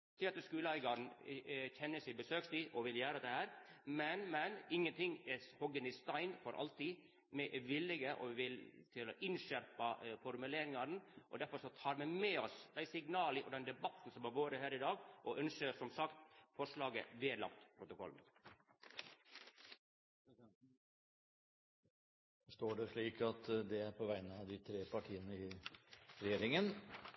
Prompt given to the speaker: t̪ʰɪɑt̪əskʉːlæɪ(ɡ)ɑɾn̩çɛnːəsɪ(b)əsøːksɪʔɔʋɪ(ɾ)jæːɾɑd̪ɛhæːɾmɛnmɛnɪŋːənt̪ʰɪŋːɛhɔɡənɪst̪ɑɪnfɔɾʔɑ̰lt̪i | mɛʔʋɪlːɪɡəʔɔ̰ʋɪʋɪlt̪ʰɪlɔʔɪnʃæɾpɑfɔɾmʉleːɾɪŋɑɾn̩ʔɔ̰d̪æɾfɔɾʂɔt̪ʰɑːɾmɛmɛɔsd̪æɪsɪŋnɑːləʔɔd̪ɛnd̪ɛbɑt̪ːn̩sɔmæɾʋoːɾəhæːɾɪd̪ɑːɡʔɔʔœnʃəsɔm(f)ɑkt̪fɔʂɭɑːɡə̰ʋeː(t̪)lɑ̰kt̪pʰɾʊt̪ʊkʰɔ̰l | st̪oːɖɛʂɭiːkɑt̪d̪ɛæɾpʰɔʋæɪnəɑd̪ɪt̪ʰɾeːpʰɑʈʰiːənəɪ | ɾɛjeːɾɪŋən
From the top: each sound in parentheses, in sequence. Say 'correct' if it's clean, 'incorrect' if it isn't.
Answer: correct, correct, incorrect: l, incorrect: s, incorrect: d̪

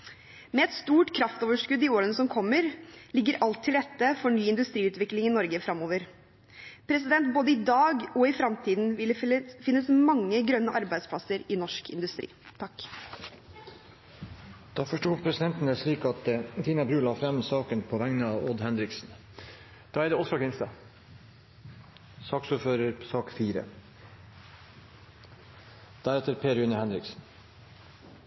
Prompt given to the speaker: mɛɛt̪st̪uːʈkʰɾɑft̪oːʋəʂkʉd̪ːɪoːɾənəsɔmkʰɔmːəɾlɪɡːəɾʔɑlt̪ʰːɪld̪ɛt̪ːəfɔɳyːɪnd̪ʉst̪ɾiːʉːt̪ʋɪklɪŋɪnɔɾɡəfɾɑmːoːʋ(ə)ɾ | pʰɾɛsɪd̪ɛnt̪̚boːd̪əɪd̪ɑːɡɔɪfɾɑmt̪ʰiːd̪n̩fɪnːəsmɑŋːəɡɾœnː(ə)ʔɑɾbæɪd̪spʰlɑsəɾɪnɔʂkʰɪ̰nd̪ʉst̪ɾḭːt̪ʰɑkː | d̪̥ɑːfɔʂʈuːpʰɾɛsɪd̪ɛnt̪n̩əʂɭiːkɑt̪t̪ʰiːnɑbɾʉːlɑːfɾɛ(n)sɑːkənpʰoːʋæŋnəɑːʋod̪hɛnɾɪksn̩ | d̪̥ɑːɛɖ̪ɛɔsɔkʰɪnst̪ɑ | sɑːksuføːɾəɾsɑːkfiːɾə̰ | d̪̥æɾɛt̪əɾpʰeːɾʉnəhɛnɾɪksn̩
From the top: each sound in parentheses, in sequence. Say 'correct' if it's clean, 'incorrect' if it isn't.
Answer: correct, correct, incorrect: m

